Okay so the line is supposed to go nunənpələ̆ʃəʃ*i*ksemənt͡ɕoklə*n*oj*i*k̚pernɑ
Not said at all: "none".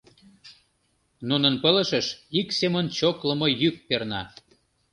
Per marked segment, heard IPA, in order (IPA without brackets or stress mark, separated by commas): i, m, y